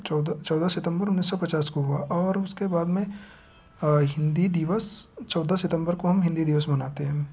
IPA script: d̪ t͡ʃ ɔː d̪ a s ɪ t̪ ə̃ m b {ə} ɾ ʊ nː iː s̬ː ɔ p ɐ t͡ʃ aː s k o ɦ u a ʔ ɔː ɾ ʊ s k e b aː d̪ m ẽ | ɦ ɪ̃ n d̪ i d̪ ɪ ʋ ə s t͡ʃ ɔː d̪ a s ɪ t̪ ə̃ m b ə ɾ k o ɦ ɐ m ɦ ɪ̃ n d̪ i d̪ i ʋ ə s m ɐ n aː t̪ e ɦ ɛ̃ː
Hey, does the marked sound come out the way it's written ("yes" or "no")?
yes